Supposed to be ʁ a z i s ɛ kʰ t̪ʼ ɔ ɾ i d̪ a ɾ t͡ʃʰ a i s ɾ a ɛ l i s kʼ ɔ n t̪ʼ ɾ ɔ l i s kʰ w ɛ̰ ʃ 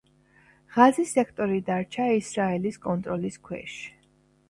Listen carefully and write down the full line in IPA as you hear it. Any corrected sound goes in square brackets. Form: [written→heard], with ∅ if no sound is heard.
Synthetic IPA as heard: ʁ a z i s ɛ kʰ t̪ʼ ɔ ɾ i d̪ a ɾ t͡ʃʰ a i s ɾ a ɛ l i s kʼ ɔ n t̪ʼ ɾ ɔ l i s kʰ w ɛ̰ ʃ